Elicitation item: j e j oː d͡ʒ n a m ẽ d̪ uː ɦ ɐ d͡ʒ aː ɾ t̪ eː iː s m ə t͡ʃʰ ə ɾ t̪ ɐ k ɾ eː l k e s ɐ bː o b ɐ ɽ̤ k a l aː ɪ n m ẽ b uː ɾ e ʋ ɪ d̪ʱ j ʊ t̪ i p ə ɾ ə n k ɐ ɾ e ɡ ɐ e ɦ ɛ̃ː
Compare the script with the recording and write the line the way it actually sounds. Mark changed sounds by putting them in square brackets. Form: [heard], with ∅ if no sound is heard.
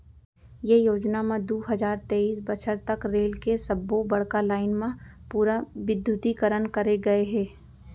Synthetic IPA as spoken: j e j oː d͡ʒ n a m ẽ d̪ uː ɦ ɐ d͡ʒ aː ɾ t̪ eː iː s [b] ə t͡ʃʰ ə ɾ t̪ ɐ k ɾ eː l k e s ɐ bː o b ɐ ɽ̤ k a l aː ɪ n m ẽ [p] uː ɾ [a] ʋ ɪ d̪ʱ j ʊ t̪ i [k] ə ɾ ə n k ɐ ɾ e ɡ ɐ e ɦ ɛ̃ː

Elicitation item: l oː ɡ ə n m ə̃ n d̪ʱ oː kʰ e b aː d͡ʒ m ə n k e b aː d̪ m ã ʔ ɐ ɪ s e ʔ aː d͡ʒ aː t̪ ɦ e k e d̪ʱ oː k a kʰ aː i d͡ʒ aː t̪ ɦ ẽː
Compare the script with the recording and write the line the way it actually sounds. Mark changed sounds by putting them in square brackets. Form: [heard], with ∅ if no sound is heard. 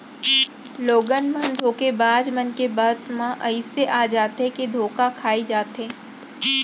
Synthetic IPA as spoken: l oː ɡ ə n m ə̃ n d̪ʱ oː [k] e b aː d͡ʒ m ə n k e b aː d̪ m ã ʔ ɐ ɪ s e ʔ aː d͡ʒ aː t̪ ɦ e k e d̪ʱ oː k a kʰ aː i d͡ʒ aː t̪ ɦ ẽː

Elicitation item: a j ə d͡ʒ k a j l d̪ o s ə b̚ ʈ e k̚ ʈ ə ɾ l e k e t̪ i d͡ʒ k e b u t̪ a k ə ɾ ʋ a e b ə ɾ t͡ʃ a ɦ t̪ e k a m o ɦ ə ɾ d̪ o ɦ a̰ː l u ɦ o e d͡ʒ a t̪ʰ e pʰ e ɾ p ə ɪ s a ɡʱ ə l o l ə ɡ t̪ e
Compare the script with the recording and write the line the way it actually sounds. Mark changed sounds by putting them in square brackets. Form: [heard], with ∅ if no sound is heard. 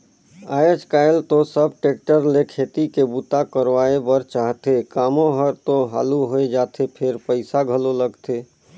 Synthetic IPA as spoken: a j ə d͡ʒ k a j l [t̪] o s ə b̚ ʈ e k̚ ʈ ə ɾ l e [kʰ] e t̪ i [∅] k e b u t̪ a k ə ɾ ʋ a e b ə ɾ t͡ʃ a ɦ t̪ e k a m o ɦ ə ɾ [t̪] o ɦ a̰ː l u ɦ o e d͡ʒ a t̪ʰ e pʰ e ɾ p ə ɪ s a ɡʱ ə l o l ə ɡ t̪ e

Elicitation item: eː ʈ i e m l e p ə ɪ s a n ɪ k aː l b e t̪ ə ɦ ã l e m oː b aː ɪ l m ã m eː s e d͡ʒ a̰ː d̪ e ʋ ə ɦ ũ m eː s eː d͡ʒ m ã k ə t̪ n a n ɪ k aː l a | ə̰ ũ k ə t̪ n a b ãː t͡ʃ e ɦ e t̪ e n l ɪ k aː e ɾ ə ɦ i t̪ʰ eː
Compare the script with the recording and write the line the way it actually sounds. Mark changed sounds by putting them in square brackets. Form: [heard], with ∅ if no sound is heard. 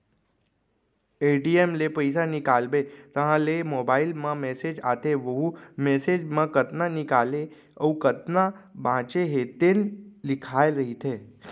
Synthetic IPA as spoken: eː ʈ i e m l e p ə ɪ s a n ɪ k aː l b e t̪ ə ɦ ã l e m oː b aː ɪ l m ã m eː s e d͡ʒ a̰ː [t̪] e ʋ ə ɦ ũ m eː s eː d͡ʒ m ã k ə t̪ n a n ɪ k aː l [e] | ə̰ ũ k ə t̪ n a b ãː t͡ʃ e ɦ e t̪ e n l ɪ [kʰ] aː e ɾ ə ɦ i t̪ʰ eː

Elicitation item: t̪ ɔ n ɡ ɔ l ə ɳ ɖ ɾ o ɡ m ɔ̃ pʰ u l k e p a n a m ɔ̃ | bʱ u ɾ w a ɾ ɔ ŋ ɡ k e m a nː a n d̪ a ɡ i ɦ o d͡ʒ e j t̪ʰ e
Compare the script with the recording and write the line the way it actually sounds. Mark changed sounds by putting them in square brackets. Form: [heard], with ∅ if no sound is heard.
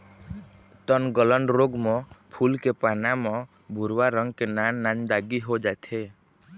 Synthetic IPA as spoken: t̪ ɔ n ɡ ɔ l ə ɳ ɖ ɾ o ɡ m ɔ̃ pʰ u l k e p a n a m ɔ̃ | bʱ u ɾ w a ɾ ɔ ŋ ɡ k e [n] a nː a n d̪ a ɡ i ɦ o d͡ʒ [a] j t̪ʰ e

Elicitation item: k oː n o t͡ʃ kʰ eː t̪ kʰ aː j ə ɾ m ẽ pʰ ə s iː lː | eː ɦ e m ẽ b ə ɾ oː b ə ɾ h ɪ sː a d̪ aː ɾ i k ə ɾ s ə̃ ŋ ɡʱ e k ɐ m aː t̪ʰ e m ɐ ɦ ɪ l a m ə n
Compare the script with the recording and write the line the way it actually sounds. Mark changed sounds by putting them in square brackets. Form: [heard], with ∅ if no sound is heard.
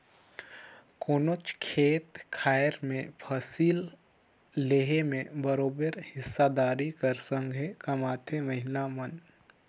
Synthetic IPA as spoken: k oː n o t͡ʃ kʰ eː t̪ kʰ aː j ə ɾ m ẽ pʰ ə s iː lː | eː ɦ e m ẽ b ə ɾ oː b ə ɾ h ɪ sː a d̪ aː ɾ i k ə ɾ s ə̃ ŋ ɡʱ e k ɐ m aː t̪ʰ e m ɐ ɦ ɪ l a m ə n

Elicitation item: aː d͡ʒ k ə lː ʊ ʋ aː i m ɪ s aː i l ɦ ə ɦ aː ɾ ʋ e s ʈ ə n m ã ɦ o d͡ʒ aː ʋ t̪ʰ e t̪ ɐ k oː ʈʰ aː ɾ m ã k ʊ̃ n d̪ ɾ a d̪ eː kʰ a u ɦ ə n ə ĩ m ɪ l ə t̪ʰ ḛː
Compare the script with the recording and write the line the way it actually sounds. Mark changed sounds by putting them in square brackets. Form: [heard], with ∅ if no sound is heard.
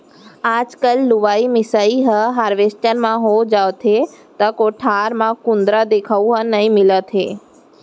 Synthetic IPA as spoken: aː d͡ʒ k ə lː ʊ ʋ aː i m ɪ s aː i [∅] ɦ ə ɦ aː ɾ ʋ e s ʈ ə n m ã ɦ o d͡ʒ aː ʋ t̪ʰ e t̪ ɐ k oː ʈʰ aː ɾ m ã k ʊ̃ n d̪ ɾ a d̪ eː kʰ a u ɦ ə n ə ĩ m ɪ l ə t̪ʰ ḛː

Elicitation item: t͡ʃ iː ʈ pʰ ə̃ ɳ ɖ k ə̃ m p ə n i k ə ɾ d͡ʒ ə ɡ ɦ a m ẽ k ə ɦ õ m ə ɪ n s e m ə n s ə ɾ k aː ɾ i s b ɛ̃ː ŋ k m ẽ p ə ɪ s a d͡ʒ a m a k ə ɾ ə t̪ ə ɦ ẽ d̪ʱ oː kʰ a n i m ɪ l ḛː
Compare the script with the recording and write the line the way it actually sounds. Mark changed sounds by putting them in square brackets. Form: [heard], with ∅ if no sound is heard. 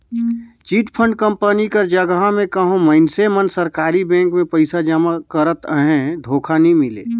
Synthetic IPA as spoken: t͡ʃ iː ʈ pʰ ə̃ ɳ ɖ k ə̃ m p ə n i k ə ɾ d͡ʒ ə ɡ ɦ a m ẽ k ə ɦ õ m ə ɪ n s e m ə n s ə ɾ k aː ɾ i [∅] b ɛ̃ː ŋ k m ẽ p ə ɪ s a d͡ʒ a m a k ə ɾ ə t̪ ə ɦ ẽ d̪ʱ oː kʰ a n i m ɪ l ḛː

